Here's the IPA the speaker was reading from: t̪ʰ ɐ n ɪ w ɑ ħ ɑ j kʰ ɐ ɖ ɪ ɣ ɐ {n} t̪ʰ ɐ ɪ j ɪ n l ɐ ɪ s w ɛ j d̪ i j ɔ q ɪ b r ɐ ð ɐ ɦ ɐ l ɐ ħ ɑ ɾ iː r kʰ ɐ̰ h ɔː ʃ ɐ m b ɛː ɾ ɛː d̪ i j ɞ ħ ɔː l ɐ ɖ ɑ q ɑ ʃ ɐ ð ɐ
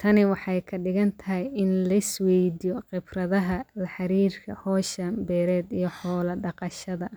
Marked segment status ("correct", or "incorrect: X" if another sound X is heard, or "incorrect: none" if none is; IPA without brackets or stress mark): correct